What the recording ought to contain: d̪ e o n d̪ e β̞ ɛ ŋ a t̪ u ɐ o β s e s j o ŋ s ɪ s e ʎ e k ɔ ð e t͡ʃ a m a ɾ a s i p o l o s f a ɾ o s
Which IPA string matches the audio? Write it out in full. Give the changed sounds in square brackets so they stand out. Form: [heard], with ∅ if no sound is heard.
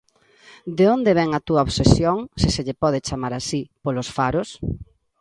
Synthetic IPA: d̪ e o n d̪ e β̞ ɛ ŋ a t̪ u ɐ o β s e s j o ŋ s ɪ s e ʎ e [p] ɔ ð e t͡ʃ a m a ɾ a s i p o l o s f a ɾ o s